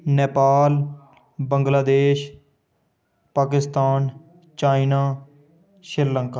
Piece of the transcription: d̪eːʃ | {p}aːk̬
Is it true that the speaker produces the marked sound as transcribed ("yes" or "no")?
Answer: yes